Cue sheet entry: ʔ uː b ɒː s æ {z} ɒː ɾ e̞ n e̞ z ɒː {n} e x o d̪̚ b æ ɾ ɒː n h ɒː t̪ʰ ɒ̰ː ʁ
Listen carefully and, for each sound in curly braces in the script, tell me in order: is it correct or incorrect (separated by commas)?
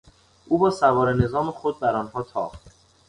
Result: incorrect, incorrect